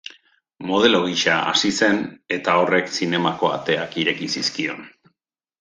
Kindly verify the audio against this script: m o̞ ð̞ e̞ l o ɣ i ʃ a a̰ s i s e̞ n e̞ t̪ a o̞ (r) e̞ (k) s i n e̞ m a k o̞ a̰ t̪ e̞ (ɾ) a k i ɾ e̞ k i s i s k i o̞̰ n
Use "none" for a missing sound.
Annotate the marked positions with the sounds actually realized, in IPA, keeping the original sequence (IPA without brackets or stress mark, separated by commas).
r, k, none